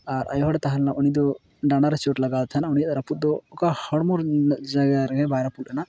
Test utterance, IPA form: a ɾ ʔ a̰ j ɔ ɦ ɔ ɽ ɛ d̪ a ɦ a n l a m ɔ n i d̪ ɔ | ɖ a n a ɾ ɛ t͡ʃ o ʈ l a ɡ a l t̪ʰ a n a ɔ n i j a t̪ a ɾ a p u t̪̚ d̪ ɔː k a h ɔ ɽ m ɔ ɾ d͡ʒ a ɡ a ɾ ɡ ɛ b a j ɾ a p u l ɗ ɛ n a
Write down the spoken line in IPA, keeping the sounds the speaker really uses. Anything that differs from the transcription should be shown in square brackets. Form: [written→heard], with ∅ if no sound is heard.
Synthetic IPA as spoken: a ɾ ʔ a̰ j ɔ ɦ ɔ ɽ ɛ [d̪→t̪] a ɦ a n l a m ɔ n i d̪ ɔ | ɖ a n a ɾ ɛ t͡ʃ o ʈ l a ɡ a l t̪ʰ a n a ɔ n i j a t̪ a ɾ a p u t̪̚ d̪ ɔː k a h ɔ ɽ m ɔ ɾ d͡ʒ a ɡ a ɾ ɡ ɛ b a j ɾ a p u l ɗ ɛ n a